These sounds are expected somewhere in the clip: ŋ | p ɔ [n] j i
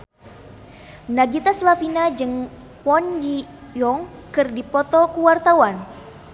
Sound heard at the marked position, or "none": n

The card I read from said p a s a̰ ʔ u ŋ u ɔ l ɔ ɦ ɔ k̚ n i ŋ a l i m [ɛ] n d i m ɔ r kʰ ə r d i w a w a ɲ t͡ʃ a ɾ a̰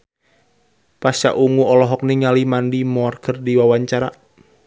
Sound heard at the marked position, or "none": a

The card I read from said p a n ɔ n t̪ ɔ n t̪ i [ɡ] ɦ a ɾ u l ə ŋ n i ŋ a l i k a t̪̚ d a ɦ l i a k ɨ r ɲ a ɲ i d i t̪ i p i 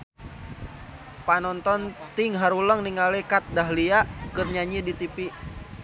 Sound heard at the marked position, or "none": ŋ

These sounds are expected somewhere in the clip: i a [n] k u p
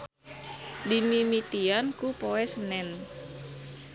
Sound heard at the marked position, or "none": n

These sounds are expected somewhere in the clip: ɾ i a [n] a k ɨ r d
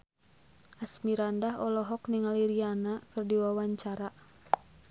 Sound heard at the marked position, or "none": n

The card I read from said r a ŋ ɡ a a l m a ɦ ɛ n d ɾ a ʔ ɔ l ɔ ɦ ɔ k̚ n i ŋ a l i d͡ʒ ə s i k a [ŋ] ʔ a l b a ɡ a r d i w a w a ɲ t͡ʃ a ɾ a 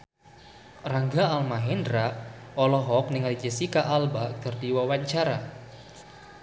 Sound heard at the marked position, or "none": none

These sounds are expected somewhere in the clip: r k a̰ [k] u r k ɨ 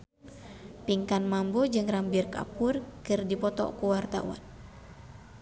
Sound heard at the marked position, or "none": p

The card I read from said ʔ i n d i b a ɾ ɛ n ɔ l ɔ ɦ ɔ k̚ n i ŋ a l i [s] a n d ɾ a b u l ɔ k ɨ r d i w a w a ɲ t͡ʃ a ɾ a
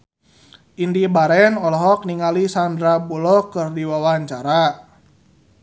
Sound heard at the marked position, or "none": s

